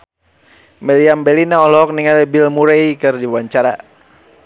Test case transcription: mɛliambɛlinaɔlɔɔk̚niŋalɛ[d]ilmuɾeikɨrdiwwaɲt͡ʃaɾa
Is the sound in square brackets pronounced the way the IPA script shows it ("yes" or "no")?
no